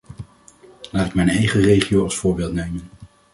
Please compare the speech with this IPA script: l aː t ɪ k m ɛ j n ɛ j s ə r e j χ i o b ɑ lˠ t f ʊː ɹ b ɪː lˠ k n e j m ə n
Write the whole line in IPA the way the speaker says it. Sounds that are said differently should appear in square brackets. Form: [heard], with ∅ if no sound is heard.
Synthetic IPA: l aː t ɪ k m ɛ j n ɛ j [χ] ə r e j χ i o [w] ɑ lˠ [s] f ʊː ɹ b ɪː lˠ [t] n e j m ə n